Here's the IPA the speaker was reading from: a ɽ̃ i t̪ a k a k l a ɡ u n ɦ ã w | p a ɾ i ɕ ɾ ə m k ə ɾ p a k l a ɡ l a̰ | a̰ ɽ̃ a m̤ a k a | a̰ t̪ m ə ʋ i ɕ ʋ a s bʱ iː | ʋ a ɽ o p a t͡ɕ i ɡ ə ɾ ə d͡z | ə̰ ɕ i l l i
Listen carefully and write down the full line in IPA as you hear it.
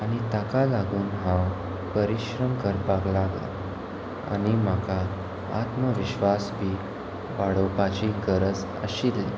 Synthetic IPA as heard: a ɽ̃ i t̪ a k a l a ɡ uː n ɦ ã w | p ə ɾ i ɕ ɾ ə m k ə ɾ p a k l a ɡ l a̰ | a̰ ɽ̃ i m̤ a k a | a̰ t̪ m ə ʋ i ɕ ʋ a s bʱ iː | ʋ a ɽ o p a t͡ɕ i ɡ ə ɾ ə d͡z | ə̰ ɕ i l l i